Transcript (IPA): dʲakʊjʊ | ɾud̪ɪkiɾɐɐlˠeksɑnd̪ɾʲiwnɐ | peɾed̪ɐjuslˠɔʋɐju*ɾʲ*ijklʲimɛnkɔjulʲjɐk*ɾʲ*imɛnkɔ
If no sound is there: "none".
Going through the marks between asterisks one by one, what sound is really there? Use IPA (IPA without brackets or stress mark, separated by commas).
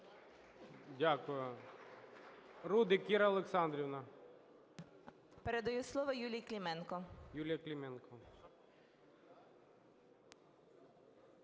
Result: lʲ, lʲ